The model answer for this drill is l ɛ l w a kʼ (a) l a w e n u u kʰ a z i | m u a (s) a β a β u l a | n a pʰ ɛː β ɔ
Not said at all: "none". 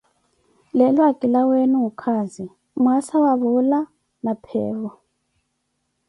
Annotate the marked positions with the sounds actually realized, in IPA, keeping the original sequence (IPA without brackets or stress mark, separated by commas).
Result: i, s